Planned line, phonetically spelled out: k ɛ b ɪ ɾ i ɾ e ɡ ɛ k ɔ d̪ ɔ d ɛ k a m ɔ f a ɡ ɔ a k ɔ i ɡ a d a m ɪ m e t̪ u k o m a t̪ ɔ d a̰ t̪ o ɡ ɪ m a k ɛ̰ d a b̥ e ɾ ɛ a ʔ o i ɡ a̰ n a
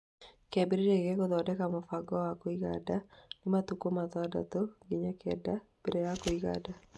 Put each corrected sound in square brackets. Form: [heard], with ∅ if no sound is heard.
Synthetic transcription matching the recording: k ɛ b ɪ ɾ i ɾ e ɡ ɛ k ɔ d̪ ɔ d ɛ k a m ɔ f a ɡ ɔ a k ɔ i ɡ a d a [n] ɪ m [a] t̪ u k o m a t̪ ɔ d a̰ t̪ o ɡ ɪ [ɲ] a k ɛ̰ d a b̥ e ɾ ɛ a [k] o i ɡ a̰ [d] a